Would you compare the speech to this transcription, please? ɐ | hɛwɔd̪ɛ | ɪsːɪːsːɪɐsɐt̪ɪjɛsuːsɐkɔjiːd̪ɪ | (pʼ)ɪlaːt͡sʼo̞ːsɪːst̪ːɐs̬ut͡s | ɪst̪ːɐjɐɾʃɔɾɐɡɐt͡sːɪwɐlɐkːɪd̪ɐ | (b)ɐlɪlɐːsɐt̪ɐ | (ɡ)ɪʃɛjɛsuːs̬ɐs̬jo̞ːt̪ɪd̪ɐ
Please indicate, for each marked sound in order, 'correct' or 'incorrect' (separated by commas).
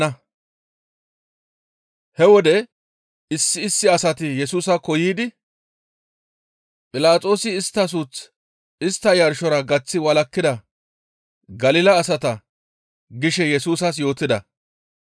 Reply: correct, incorrect, correct